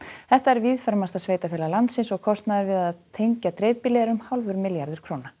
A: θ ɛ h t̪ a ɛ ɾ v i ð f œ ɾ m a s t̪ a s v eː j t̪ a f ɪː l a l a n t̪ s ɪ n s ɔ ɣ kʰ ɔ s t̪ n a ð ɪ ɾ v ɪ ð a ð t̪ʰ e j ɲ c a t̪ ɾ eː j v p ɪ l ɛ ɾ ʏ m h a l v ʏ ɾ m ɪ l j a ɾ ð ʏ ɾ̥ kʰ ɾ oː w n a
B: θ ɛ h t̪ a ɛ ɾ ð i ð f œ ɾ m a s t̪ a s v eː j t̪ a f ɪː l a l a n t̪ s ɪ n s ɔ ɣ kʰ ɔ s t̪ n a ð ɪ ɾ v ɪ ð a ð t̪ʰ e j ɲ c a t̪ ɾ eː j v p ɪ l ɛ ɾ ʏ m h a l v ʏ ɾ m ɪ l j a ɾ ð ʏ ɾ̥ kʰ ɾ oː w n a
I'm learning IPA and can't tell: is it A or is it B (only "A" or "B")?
A